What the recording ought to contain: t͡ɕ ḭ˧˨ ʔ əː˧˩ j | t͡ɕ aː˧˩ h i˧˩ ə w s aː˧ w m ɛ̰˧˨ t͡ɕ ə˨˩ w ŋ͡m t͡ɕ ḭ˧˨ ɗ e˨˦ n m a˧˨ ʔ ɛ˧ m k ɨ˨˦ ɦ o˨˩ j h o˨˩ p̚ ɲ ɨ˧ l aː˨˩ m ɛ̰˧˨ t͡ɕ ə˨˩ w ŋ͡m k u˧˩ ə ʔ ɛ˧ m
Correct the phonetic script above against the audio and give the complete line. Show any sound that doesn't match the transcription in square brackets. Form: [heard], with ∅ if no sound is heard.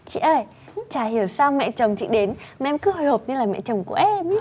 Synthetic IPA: t͡ɕ ḭ˧˨ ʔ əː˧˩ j | t͡ɕ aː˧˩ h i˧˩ ə w s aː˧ w m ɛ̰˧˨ t͡ɕ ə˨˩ w ŋ͡m t͡ɕ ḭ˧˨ ɗ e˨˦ n m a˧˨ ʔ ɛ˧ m k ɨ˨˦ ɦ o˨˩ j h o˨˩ p̚ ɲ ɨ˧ l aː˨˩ m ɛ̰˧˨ t͡ɕ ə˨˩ w ŋ͡m k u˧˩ ə ʔ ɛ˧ m

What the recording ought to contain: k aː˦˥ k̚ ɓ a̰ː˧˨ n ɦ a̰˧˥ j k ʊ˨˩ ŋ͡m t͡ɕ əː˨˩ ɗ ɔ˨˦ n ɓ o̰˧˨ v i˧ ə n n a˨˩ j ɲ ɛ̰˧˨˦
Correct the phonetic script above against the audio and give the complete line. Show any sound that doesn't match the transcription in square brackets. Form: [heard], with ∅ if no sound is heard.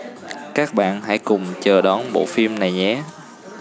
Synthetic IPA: k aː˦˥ k̚ ɓ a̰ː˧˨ n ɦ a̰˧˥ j k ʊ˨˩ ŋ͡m t͡ɕ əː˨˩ ɗ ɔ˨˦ n ɓ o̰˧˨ [f] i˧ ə [m] n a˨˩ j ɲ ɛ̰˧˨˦

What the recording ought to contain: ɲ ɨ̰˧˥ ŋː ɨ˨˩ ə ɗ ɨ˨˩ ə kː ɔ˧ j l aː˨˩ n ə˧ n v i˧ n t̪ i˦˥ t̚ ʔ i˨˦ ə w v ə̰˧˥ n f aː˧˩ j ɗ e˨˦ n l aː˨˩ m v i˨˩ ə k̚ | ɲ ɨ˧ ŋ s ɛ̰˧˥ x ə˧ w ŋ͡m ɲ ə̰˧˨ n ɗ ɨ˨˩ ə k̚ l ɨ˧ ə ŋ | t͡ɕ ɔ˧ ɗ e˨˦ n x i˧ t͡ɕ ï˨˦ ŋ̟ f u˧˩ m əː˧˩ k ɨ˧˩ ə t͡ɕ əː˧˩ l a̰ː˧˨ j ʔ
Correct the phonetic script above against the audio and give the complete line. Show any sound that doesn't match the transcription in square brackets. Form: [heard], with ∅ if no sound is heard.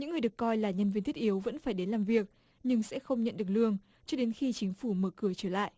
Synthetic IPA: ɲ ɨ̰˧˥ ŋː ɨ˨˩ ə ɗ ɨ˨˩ ə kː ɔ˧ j l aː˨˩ [ɲ] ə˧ n v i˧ n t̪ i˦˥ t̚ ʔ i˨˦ ə w v ə̰˧˥ n f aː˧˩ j ɗ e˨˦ n l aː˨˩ m v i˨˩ ə k̚ | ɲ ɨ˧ ŋ s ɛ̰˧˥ x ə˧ w ŋ͡m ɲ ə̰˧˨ n ɗ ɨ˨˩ ə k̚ l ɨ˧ ə ŋ | t͡ɕ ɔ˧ ɗ e˨˦ n x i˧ t͡ɕ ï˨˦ ŋ̟ f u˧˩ m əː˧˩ k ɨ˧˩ ə t͡ɕ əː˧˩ l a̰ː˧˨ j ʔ

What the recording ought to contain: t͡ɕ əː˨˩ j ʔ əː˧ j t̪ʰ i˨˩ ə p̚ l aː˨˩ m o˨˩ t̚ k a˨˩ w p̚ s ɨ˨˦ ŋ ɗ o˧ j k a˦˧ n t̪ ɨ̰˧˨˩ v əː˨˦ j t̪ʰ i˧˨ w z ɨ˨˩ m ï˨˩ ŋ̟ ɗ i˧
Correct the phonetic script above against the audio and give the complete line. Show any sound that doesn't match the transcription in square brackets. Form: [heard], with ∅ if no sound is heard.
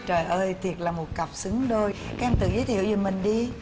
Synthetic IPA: t͡ɕ əː˨˩ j ʔ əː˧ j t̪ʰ i˨˩ ə [t̚] l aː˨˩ m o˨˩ t̚ k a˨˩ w p̚ s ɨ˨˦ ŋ ɗ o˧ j k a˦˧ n t̪ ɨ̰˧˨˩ [z] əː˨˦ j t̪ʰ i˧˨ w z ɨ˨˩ m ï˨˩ ŋ̟ ɗ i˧

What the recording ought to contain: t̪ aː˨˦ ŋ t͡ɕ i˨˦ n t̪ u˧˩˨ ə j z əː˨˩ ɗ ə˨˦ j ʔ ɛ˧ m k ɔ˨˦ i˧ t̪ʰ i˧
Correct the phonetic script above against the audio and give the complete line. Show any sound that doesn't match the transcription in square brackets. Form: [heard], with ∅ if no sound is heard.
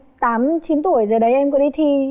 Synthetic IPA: t̪ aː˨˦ [m] t͡ɕ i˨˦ n t̪ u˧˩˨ ə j z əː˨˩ ɗ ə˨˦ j ʔ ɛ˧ m k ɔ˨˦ i˧ t̪ʰ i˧

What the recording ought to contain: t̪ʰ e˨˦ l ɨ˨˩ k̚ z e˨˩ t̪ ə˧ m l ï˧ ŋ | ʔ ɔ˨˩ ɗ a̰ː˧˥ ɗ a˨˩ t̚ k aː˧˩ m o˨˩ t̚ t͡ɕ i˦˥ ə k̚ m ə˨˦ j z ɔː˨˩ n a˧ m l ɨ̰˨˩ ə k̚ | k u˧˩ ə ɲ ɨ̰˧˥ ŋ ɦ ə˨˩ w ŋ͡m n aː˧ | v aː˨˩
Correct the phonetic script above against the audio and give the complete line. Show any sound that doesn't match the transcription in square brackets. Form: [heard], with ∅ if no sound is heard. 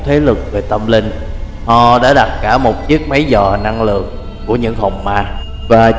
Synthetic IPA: t̪ʰ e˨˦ l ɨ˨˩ k̚ [v] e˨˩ t̪ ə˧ m l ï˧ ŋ | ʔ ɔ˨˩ ɗ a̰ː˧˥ ɗ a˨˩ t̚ k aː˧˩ m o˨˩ t̚ t͡ɕ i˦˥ ə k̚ m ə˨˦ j z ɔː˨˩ n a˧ [ŋ] l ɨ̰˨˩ ə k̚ | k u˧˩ ə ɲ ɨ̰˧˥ ŋ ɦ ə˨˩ w ŋ͡m [m] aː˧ | v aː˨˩

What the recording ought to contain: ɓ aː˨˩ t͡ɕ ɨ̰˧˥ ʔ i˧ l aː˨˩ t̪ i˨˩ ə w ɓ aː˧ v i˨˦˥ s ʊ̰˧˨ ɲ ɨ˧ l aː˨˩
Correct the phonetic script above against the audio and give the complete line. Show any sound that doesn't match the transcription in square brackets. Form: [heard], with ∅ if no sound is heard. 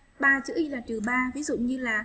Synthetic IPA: ɓ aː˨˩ t͡ɕ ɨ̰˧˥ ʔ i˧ l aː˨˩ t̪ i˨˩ ə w ɓ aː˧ v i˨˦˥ [z] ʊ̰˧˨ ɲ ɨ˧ l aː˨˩

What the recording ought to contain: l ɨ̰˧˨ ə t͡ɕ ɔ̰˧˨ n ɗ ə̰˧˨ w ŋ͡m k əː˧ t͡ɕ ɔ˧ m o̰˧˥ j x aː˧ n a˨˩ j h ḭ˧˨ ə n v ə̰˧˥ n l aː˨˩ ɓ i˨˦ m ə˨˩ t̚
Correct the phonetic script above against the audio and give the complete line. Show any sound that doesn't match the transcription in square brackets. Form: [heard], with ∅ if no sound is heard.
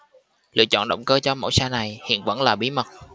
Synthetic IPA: l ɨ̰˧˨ ə t͡ɕ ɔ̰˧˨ n ɗ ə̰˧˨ w ŋ͡m k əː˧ t͡ɕ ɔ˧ m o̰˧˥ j [s] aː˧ n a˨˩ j h ḭ˧˨ ə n v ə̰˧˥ n l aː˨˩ ɓ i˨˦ m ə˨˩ t̚

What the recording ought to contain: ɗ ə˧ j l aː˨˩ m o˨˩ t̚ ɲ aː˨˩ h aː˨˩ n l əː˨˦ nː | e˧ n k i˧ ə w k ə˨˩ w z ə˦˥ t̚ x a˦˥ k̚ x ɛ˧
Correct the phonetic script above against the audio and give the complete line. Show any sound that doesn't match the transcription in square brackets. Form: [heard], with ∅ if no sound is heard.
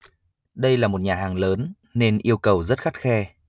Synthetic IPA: ɗ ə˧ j l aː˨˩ m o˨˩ t̚ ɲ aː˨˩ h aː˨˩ [ŋ] l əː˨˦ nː | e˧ n [ʔ] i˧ ə w k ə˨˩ w z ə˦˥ t̚ x a˦˥ [t̚] x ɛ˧

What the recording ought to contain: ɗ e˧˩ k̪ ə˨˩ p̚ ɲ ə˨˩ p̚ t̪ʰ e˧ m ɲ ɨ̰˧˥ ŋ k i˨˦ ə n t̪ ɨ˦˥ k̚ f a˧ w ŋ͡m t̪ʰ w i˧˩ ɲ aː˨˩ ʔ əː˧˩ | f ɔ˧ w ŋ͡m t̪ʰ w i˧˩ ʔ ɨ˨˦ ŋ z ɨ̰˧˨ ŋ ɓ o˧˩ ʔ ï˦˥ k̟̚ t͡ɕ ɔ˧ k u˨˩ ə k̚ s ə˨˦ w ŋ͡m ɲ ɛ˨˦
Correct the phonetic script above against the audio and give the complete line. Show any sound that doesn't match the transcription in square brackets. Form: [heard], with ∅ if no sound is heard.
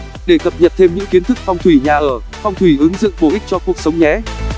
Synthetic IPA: ɗ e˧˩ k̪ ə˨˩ p̚ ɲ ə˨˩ p̚ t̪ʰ e˧ m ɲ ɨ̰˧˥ ŋ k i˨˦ ə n t̪ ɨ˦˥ k̚ f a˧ w ŋ͡m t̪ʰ w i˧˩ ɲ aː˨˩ ʔ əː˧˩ | f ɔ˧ w ŋ͡m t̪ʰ w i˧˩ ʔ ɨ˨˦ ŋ z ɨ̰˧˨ ŋ ɓ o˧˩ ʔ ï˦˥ k̟̚ t͡ɕ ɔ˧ k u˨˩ ə k̚ s ə˨˦ w ŋ͡m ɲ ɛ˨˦

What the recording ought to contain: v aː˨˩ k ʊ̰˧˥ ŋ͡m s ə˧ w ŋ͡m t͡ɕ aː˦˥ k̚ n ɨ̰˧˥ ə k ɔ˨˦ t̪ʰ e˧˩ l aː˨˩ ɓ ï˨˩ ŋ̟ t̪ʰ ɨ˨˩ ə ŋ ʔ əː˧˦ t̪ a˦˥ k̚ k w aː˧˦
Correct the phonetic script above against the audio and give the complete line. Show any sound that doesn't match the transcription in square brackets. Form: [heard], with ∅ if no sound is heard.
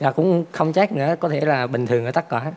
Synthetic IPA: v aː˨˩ k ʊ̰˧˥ ŋ͡m [x] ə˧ w ŋ͡m t͡ɕ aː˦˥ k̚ n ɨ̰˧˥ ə k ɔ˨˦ t̪ʰ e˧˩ l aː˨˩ ɓ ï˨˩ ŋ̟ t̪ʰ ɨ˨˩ ə ŋ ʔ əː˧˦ t̪ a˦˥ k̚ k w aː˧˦

